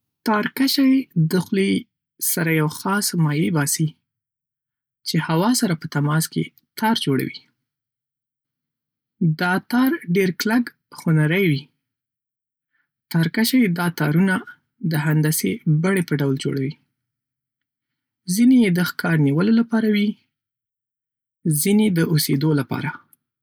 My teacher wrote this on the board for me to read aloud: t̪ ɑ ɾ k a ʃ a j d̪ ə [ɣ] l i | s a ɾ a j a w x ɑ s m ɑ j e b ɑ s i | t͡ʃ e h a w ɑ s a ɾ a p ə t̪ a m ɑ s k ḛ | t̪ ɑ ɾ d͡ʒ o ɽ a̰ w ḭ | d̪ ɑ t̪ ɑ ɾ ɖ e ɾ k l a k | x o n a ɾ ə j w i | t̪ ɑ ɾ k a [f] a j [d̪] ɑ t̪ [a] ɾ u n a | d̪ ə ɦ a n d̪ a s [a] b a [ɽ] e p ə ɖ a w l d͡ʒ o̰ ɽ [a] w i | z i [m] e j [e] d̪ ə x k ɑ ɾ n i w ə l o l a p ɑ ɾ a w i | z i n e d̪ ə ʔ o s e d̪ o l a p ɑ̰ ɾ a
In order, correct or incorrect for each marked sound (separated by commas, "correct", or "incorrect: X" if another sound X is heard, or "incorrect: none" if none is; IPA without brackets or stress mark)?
incorrect: x, incorrect: ʃ, correct, incorrect: ɑ, incorrect: e, correct, correct, incorrect: n, correct